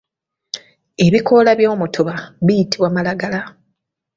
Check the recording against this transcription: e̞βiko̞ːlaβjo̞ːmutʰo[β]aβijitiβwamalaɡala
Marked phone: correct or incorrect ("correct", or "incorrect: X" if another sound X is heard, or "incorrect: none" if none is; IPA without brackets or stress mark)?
correct